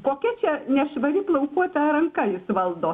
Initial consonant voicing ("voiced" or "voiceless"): voiceless